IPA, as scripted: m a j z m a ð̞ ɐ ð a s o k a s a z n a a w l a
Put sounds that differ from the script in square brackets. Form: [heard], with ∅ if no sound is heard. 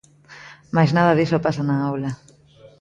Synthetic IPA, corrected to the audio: m a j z [n] a ð̞ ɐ ð [i] s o [p] a s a [∅] n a a w l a